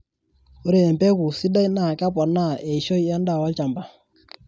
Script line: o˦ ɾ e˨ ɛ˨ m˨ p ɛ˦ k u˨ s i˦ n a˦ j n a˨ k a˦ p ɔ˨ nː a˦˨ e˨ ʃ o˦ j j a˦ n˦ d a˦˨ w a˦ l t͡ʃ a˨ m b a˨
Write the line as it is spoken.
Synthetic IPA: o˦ ɾ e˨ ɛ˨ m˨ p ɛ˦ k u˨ s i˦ d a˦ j n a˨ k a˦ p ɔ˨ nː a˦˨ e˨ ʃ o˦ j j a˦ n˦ d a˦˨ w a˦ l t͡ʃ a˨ m b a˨